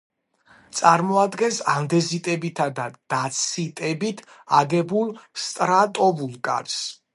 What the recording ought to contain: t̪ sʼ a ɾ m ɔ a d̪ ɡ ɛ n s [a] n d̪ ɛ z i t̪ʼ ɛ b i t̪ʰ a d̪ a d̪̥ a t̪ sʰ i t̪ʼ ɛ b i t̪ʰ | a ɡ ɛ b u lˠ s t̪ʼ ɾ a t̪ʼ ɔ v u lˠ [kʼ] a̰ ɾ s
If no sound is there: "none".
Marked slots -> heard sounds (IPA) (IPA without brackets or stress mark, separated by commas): a, kʼ